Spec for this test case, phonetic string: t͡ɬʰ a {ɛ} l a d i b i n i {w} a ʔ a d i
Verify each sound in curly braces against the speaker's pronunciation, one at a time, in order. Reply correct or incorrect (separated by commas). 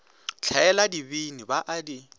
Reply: correct, incorrect